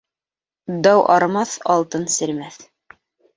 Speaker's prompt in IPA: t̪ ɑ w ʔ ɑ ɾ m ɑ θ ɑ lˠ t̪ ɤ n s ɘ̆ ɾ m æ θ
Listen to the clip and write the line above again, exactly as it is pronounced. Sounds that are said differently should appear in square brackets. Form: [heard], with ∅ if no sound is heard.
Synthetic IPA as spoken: [d̪] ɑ w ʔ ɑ ɾ m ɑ θ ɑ lˠ t̪ ɤ n s ɘ̆ ɾ m æ θ